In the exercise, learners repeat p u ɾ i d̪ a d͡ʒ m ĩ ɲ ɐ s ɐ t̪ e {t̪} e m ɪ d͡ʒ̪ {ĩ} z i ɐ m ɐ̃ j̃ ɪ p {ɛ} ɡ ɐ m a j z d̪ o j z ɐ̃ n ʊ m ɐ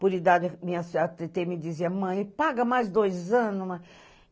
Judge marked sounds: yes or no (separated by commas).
yes, no, no